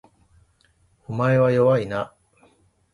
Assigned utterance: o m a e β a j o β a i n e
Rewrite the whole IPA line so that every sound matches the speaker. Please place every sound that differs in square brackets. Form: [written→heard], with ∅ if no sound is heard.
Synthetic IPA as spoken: o m a e β a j o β a i n [e→a]